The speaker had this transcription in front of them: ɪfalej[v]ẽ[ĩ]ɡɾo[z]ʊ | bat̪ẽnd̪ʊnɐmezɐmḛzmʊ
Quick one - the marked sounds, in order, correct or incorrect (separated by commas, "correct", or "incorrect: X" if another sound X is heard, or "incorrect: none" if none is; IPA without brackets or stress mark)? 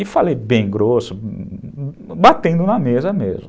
incorrect: b, incorrect: j̃, incorrect: s